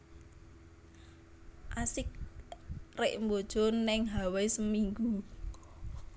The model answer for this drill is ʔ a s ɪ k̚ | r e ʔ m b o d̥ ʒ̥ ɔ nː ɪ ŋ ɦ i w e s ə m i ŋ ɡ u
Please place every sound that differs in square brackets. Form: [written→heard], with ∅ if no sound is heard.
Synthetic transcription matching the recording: ʔ a s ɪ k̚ | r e ʔ m b o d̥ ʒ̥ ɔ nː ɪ ŋ ɦ [i→a] w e s ə m i ŋ ɡ u